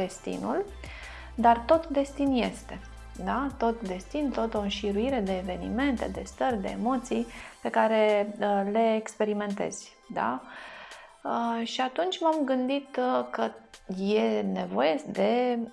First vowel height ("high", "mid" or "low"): mid